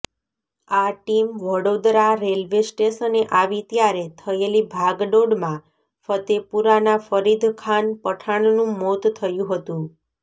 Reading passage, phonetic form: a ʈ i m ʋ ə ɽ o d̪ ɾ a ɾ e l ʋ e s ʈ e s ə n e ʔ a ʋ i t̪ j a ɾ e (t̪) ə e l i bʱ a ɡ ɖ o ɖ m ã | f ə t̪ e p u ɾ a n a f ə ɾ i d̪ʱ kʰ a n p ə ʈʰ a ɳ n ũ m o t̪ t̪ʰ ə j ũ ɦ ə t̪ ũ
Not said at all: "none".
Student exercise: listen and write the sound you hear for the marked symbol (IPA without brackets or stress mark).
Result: t̪ʰ